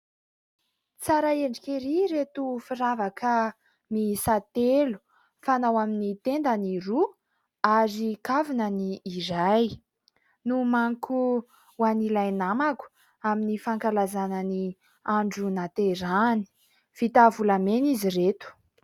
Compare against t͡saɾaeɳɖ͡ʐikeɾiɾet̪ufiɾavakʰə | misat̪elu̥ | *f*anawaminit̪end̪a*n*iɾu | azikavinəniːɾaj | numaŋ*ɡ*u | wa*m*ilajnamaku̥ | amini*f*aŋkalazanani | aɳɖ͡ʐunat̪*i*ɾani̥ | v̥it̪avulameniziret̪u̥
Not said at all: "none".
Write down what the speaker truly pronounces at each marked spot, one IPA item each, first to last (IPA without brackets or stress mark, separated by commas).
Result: f, n, k, n, f, e